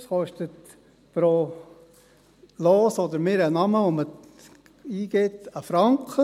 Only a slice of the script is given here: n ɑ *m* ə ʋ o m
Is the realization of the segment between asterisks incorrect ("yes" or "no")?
no